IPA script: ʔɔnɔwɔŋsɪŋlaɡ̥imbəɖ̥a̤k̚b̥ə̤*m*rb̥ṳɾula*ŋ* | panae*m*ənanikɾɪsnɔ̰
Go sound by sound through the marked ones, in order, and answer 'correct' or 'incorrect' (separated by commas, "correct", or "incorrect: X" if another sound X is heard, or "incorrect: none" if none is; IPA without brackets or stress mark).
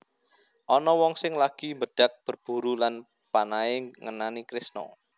incorrect: none, incorrect: n, incorrect: ŋ